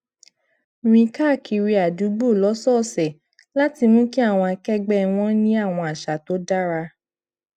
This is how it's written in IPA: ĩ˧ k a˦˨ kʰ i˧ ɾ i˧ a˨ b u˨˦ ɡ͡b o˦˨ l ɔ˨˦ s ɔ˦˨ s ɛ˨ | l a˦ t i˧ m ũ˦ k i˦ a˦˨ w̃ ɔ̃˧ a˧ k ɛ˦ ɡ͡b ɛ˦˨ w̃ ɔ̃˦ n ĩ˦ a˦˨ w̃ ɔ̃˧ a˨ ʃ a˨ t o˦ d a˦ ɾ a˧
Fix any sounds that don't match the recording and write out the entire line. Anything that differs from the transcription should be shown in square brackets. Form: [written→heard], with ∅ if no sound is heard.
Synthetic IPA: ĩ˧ k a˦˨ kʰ i˧ ɾ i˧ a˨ [b→d] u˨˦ ɡ͡b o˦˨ l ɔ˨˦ s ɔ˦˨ s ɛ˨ | l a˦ t i˧ m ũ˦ k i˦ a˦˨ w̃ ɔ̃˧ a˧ k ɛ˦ ɡ͡b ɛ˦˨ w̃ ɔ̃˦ n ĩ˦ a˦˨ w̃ ɔ̃˧ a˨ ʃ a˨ t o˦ d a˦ ɾ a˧